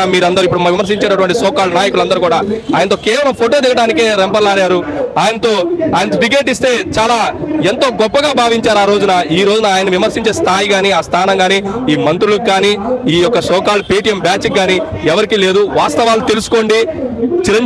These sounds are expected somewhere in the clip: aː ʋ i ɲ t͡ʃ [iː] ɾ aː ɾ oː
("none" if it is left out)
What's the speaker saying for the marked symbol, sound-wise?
aː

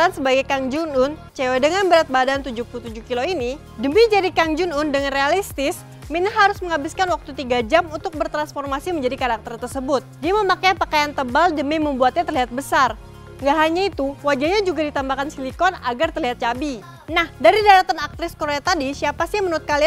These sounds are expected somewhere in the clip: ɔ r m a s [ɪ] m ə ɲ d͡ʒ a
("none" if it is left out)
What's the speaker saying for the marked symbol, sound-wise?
i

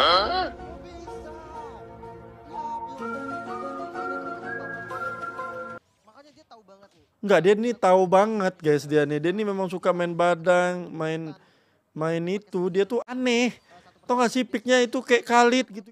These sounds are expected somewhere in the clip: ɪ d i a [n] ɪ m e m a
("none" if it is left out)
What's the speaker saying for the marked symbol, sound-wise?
n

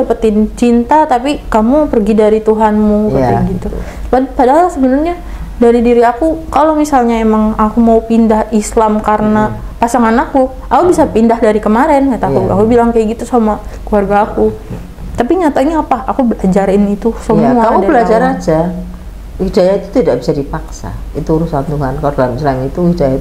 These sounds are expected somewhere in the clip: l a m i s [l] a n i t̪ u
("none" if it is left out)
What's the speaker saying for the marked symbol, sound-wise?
l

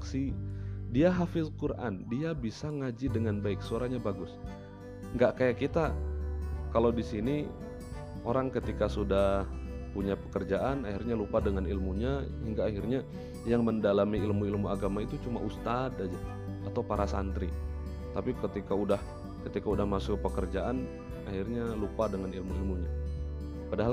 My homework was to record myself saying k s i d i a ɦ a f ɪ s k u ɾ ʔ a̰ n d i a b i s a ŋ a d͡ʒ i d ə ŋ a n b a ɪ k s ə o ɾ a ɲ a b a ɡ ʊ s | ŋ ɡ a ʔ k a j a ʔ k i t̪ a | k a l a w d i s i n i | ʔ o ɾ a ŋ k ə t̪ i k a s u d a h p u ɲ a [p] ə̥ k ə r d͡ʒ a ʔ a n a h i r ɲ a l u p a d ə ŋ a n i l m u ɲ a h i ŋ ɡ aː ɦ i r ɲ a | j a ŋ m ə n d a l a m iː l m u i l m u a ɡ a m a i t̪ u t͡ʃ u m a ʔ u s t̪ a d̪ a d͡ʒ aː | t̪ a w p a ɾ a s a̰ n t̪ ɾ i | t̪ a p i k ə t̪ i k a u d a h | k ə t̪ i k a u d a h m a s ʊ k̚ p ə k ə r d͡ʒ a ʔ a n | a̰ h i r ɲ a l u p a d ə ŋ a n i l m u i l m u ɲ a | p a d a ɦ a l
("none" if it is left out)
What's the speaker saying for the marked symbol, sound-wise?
p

